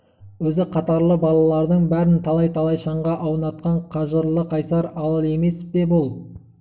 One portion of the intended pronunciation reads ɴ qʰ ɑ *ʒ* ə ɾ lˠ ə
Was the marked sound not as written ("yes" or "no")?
no